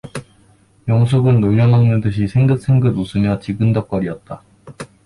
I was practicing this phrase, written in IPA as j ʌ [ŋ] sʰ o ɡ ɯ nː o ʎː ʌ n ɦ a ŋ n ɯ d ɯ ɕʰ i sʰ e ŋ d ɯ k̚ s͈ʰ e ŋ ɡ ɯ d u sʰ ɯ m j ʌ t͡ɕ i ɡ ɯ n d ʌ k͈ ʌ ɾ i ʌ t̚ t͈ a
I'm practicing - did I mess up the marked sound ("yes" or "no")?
no